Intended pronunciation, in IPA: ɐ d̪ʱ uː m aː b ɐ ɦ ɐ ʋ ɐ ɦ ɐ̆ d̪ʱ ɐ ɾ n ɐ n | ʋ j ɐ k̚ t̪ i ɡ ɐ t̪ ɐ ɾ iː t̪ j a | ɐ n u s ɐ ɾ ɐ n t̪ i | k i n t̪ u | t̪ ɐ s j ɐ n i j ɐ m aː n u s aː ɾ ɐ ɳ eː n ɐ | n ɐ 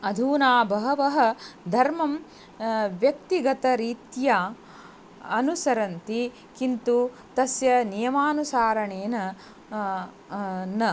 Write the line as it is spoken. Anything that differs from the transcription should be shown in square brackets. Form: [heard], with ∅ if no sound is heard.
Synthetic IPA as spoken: ɐ d̪ʱ uː [n] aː b ɐ ɦ ɐ ʋ ɐ ɦ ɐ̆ d̪ʱ ɐ ɾ [m] ɐ [m] | ʋ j ɐ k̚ t̪ i ɡ ɐ t̪ ɐ ɾ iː t̪ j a | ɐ n u s ɐ ɾ ɐ n t̪ i | k i n t̪ u | t̪ ɐ s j ɐ n i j ɐ m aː n u s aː ɾ ɐ ɳ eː n ɐ | n ɐ